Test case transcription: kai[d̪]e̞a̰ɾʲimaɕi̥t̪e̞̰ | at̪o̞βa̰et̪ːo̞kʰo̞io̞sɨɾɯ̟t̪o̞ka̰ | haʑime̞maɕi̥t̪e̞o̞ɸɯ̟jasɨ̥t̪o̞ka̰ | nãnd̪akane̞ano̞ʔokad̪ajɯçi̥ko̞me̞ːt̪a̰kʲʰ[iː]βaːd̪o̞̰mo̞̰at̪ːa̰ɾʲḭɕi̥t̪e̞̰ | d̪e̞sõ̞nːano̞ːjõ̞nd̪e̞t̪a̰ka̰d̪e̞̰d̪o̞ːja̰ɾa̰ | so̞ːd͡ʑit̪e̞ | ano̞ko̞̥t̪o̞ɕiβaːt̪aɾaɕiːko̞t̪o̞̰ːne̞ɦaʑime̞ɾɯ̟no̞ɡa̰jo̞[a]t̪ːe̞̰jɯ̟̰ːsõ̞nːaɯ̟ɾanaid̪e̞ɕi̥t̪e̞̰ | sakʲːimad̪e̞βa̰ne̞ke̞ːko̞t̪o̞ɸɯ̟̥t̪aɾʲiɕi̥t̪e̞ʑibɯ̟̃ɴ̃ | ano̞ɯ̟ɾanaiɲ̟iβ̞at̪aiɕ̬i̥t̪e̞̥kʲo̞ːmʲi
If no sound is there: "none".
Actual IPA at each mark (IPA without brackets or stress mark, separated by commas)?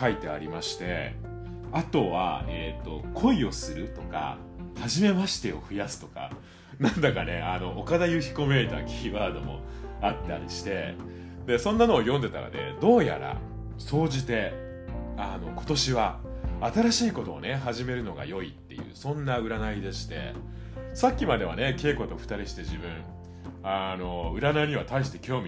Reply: t̪, iː, i